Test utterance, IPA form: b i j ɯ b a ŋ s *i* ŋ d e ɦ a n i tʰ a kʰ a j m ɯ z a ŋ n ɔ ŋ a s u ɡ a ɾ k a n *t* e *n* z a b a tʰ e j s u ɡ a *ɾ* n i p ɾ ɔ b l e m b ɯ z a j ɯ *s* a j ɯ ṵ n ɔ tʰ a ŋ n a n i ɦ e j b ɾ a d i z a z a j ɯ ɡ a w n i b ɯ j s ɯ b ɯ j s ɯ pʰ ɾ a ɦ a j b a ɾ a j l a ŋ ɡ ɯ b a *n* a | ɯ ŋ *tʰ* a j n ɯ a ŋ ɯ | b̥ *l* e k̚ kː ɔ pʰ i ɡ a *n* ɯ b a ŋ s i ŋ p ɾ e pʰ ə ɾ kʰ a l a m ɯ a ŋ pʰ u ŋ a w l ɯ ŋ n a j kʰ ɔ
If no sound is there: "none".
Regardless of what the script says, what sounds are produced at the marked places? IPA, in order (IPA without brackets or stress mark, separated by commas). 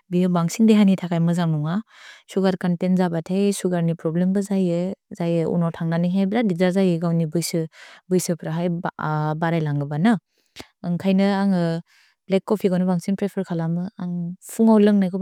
i, t, n, ɾ, z, n, kʰ, l, n